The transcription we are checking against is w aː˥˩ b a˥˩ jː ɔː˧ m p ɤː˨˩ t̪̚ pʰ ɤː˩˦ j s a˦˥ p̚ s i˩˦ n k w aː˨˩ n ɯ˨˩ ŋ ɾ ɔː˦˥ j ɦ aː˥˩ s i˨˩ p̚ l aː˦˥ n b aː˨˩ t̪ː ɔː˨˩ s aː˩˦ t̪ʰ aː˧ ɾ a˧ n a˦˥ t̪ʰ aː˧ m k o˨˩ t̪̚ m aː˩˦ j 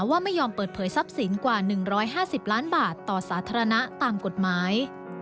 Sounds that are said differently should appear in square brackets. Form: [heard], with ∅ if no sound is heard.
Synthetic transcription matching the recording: w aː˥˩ [m] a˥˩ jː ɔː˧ m p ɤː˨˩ t̪̚ pʰ ɤː˩˦ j s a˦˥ p̚ s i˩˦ n k w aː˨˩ n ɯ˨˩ ŋ ɾ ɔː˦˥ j ɦ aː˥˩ s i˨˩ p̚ l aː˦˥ n b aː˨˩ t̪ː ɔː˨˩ s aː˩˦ t̪ʰ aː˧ ɾ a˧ n a˦˥ [t̪] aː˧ m k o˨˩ t̪̚ m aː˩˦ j